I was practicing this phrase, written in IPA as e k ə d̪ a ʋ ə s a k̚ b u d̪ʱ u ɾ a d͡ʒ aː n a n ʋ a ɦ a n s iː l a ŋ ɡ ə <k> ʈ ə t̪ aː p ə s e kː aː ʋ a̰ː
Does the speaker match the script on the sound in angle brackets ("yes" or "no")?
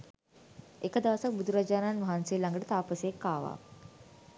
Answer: no